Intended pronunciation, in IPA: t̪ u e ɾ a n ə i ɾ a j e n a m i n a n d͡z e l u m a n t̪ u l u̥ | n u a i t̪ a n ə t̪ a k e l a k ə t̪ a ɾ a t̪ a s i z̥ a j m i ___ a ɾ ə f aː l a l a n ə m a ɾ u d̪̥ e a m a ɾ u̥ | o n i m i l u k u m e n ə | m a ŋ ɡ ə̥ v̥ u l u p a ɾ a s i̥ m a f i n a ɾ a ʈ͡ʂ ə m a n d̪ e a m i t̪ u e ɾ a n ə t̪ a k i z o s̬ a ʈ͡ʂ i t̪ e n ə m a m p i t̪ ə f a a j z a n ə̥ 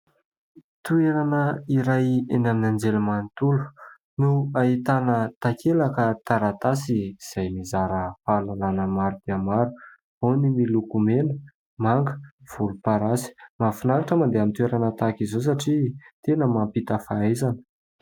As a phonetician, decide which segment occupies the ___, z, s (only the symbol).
z